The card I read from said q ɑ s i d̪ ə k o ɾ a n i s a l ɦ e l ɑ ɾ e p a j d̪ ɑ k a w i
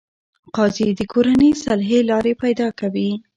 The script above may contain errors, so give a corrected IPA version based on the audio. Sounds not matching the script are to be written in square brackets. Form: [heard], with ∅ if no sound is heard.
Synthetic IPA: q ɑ [z] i d̪ ə k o ɾ a n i s a l ɦ e l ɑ ɾ e p a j d̪ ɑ k a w i